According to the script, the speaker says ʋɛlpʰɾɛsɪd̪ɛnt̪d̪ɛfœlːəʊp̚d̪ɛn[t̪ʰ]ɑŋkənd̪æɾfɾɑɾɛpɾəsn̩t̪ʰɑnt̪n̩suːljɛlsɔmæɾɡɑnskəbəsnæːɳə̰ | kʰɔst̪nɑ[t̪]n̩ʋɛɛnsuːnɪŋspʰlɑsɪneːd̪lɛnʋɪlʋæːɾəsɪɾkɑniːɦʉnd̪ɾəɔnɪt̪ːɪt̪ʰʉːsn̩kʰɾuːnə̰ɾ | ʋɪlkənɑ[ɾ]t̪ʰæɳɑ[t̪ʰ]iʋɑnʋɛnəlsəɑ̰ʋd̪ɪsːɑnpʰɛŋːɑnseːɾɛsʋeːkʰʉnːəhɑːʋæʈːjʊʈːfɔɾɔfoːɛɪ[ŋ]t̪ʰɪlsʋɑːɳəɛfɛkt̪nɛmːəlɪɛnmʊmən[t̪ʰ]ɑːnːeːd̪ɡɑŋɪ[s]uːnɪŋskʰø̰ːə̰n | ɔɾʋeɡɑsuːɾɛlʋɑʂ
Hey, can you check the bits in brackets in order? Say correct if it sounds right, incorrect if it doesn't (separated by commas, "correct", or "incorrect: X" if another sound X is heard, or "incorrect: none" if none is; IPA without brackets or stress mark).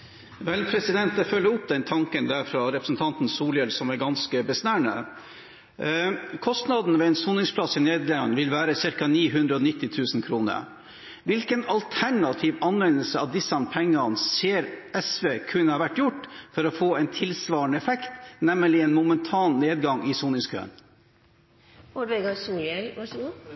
correct, incorrect: d̪, incorrect: l, correct, incorrect: n, correct, correct